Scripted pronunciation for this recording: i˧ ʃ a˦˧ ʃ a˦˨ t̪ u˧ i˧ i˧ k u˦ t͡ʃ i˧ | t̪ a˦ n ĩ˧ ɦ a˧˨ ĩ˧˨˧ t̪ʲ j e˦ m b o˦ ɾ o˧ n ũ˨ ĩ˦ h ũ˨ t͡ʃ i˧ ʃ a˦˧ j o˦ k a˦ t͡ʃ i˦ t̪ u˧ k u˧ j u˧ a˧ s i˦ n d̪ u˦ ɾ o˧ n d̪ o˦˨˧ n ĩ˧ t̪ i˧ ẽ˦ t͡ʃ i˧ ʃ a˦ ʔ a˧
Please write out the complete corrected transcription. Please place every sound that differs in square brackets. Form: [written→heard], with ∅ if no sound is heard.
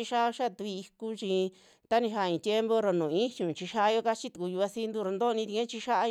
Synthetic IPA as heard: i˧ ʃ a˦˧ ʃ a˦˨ t̪ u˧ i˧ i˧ k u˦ t͡ʃ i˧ | t̪ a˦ n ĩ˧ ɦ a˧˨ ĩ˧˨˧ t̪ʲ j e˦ m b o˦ ɾ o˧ n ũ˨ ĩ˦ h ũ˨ t͡ʃ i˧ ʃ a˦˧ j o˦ k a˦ t͡ʃ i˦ t̪ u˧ k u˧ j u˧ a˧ s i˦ n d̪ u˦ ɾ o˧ n d̪ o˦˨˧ n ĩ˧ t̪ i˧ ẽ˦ t͡ʃ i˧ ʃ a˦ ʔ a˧